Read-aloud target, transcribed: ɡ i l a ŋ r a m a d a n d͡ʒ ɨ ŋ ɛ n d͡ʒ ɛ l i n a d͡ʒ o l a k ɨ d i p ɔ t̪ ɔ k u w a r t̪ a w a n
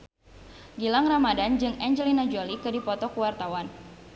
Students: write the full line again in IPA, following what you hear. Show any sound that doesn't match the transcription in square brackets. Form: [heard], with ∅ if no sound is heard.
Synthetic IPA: ɡ i l a ŋ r a m a d a n d͡ʒ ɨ ŋ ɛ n d͡ʒ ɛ l i n a d͡ʒ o l [i] k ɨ d i p ɔ t̪ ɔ k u w a r t̪ a w a n